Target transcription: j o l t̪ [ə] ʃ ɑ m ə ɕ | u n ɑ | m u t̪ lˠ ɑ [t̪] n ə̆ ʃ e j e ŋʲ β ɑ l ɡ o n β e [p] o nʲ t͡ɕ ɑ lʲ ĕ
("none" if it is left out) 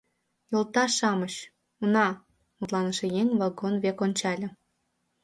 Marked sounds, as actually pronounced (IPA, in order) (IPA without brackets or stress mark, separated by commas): ɑ, none, k